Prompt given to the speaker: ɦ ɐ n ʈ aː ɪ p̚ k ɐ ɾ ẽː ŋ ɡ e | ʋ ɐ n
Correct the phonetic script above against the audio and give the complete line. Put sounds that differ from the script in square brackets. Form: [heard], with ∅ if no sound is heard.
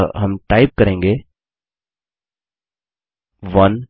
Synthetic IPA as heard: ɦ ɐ [m] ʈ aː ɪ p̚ k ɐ ɾ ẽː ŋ ɡ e | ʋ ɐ n